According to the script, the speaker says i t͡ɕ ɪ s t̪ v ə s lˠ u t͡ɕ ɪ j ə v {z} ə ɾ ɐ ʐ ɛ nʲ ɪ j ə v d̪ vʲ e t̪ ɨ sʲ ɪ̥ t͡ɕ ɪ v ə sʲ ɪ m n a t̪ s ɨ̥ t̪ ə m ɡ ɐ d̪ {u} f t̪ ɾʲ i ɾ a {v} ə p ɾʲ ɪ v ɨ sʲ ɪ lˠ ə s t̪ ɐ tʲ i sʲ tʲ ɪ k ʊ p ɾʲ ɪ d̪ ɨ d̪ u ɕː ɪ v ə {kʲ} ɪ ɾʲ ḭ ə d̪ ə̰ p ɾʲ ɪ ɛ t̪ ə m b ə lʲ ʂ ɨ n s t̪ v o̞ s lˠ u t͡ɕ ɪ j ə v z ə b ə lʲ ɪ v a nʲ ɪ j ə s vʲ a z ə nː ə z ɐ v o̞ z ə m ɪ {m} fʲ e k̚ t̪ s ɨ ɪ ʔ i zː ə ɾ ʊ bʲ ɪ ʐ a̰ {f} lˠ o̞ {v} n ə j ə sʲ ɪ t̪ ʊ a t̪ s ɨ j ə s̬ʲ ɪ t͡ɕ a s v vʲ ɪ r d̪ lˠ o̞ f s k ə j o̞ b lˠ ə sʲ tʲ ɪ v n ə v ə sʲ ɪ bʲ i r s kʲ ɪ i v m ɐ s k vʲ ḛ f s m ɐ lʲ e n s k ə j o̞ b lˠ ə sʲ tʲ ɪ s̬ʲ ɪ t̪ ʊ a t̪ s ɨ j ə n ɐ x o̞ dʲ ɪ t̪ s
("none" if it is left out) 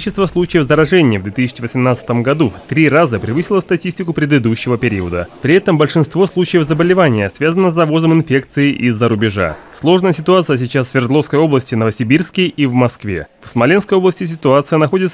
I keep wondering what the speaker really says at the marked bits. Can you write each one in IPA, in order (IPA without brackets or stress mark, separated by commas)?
z, u, z, pʲ, n, s, ʐ